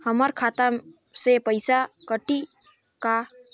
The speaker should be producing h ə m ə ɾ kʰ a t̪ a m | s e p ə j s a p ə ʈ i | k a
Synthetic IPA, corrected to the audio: h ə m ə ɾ kʰ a t̪ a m | s e p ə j s a k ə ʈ i | k a